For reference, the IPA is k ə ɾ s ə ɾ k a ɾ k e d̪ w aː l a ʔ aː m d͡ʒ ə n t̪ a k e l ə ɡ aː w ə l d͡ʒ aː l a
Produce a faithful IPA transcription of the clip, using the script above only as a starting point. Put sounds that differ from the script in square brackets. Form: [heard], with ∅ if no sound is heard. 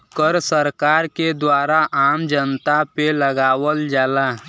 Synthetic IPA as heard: k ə ɾ s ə ɾ k a ɾ k e d̪ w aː [ɾ] a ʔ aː m d͡ʒ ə n t̪ a [p] e l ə ɡ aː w ə l d͡ʒ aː l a